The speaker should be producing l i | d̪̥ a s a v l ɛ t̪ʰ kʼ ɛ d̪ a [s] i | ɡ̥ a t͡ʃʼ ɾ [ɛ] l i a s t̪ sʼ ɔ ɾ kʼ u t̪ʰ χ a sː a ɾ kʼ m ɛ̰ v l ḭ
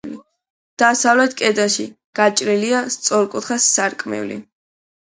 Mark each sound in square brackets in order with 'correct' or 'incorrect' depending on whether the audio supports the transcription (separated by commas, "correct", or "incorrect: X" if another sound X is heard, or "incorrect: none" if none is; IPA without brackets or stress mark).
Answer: incorrect: ʃ, incorrect: i